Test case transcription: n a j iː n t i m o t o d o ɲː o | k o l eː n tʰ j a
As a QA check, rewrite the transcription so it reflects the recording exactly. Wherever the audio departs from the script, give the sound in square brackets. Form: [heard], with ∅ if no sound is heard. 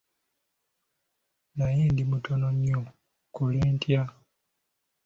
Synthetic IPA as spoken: n a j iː n [d] i m [u] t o [n] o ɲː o | k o l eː n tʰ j a